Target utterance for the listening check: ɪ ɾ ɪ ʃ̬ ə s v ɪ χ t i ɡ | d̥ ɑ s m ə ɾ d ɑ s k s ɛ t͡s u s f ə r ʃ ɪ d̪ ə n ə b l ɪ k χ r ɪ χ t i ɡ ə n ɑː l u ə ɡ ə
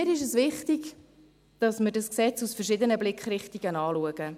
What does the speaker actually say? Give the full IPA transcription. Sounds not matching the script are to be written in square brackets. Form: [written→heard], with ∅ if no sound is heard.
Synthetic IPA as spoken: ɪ ɾ ɪ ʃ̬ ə s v ɪ χ t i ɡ | d̥ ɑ s m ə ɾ d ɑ s k s ɛ t͡s u s f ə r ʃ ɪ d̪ ə n ə b l ɪ k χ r ɪ χ t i ɡ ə n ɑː l u ə ɡ ə